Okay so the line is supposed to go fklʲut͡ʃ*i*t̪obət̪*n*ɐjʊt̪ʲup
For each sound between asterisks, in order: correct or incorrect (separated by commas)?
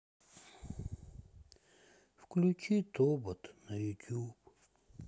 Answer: correct, correct